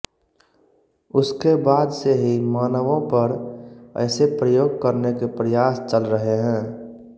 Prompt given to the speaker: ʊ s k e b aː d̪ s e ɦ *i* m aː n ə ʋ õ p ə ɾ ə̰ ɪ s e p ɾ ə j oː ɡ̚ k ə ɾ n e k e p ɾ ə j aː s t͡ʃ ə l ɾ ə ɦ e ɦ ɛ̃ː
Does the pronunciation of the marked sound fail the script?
no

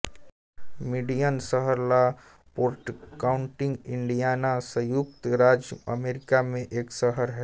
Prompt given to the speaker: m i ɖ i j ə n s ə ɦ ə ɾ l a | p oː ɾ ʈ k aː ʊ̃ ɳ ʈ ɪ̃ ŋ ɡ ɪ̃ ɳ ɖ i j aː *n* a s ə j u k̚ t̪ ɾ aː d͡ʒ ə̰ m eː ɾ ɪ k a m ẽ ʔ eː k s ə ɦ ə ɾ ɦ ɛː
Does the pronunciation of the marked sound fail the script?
no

